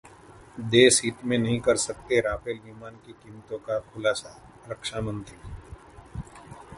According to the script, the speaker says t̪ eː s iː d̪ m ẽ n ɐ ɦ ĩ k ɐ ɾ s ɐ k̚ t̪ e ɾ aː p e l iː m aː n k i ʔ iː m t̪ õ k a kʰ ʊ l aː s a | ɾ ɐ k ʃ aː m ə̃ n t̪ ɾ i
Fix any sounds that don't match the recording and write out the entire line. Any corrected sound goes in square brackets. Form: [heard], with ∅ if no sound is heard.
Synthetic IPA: [d̪] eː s iː [t̪] m ẽ n ɐ ɦ ĩ k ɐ ɾ s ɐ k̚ t̪ e ɾ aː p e l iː m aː n k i [k] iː m t̪ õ k a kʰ ʊ l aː s a | ɾ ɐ k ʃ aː m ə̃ n t̪ ɾ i

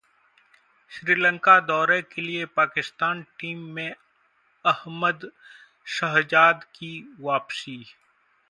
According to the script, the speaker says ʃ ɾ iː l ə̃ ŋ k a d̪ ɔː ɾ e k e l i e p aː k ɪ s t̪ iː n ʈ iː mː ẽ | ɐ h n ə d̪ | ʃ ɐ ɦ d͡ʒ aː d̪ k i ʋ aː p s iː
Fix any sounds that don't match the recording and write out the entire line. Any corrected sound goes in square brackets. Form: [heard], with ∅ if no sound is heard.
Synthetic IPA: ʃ ɾ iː l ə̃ ŋ k a d̪ ɔː ɾ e k e l i e p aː k ɪ s t̪ [aː] n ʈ iː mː ẽ | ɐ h [m] ə d̪ | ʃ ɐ ɦ d͡ʒ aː d̪ k i ʋ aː p s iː

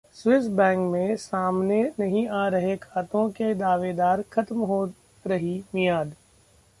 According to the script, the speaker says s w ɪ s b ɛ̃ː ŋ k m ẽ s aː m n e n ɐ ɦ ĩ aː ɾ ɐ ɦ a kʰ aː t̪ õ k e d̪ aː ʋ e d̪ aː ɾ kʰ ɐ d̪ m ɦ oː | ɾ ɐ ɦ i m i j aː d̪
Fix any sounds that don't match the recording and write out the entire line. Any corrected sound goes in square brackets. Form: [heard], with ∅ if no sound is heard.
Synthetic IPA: s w ɪ s b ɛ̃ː ŋ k m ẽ s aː m n e n ɐ ɦ ĩ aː ɾ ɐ ɦ [e] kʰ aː t̪ õ k e d̪ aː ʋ e d̪ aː ɾ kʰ ɐ [t̪] m ɦ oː | ɾ ɐ ɦ i m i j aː d̪

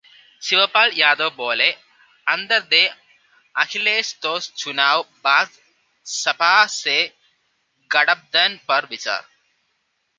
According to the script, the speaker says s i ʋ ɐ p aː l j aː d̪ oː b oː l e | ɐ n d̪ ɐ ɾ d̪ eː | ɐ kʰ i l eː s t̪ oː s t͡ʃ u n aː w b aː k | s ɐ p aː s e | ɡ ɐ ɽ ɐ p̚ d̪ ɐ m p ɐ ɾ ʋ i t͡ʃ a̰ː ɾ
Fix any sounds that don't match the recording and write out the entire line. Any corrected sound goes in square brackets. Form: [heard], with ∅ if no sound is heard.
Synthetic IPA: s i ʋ ɐ p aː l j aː d̪ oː b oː l e | ɐ n d̪ ɐ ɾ d̪ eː | ɐ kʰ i l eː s t̪ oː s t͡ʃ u n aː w b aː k | s ɐ p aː s e | ɡ ɐ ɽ ɐ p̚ d̪ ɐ [n] p ɐ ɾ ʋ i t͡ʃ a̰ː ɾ

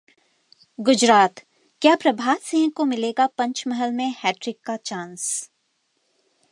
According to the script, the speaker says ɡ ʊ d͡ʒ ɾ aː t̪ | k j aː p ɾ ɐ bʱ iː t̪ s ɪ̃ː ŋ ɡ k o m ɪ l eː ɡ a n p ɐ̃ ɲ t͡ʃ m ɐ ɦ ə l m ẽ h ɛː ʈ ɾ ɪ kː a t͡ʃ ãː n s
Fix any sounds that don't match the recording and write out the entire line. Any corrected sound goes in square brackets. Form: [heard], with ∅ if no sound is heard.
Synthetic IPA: ɡ ʊ d͡ʒ ɾ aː t̪ | k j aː p ɾ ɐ bʱ [aː] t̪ s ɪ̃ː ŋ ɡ k o m ɪ l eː ɡ a [∅] p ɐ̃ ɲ t͡ʃ m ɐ ɦ ə l m ẽ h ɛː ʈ ɾ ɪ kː a t͡ʃ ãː n s

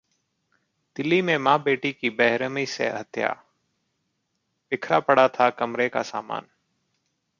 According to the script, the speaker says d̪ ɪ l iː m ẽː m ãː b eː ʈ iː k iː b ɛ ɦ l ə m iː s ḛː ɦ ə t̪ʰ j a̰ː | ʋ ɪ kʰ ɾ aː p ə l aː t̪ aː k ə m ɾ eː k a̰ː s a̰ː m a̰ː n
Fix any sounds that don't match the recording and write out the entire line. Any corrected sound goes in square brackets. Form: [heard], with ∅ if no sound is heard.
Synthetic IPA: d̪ ɪ l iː m ẽː m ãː b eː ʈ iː k iː b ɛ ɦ [ɾ] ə m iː s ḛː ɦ ə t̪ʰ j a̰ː | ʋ ɪ kʰ ɾ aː p ə [ɽ] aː [t̪ʰ] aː k ə m ɾ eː k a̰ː s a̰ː m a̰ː n

